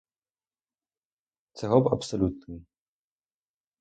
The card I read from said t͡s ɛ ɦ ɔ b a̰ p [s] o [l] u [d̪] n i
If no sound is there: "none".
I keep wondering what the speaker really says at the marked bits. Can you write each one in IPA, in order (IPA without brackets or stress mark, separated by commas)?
s, l, t̪